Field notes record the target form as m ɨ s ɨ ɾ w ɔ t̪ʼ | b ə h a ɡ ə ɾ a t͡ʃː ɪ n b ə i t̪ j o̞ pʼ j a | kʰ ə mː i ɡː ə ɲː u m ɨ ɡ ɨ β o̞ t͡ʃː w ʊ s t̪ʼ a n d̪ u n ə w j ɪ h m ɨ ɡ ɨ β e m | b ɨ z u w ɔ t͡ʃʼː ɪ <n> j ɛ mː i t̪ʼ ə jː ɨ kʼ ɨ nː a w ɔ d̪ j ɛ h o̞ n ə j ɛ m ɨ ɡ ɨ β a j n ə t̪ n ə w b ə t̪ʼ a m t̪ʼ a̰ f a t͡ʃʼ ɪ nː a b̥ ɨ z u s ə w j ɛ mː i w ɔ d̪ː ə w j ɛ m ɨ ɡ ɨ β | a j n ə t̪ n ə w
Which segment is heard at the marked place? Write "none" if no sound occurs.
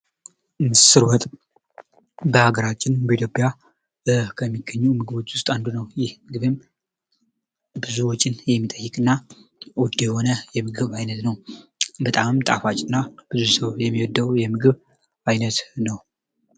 n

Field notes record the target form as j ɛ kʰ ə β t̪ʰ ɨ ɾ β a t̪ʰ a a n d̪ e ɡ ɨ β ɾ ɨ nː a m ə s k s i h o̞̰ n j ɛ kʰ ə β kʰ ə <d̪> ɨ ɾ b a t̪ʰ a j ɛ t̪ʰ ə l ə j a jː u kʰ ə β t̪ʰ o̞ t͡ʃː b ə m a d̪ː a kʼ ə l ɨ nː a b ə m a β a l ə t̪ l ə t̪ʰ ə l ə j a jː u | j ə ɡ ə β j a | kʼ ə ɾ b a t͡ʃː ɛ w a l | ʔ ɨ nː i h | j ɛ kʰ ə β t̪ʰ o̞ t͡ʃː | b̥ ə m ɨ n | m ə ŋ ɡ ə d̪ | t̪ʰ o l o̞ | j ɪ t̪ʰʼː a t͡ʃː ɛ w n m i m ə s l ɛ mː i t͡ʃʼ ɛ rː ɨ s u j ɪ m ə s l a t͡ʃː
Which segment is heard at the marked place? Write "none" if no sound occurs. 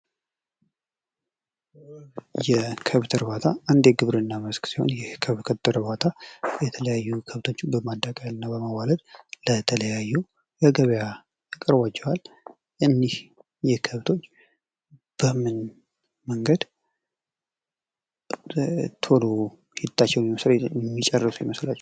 t̪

